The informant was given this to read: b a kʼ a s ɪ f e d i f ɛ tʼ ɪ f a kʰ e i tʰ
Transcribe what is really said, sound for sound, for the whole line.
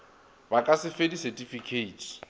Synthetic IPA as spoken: b a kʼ a s ɪ f e d i s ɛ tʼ i f i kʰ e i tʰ